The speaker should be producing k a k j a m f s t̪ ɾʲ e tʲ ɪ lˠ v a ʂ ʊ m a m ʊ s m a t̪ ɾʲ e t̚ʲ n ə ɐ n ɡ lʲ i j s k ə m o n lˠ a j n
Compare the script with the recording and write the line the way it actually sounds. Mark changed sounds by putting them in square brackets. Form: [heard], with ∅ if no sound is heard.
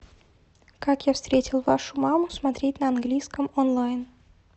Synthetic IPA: k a k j a [∅] f s t̪ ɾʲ e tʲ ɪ lˠ v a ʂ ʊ m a m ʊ s m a t̪ ɾʲ e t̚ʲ n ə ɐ n ɡ lʲ i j s k ə m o n lˠ a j n